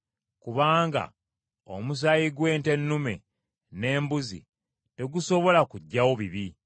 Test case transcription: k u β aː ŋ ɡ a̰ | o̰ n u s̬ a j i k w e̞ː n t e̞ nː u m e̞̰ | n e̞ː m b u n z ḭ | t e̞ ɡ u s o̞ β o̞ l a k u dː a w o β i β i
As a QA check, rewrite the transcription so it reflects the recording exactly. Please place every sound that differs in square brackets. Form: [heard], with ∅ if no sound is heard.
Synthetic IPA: k u β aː ŋ ɡ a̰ | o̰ [m] u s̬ a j i [ɡ] w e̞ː n t e̞ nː u m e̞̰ | n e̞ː m b u [∅] z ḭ | t e̞ ɡ u s o̞ β o̞ l a k u [ɟː] a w o β i β i